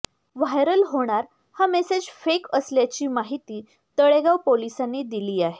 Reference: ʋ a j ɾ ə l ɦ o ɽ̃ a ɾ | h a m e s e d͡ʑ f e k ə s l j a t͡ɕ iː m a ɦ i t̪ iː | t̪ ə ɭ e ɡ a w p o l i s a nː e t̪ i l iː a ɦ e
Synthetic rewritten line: ʋ a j ɾ ə l ɦ o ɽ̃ a ɾ | h a m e s e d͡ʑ f e k ə s l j a t͡ɕ iː m a ɦ i t̪ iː | t̪ ə ɭ e ɡ a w p o l i s a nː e d̪ i l iː a ɦ e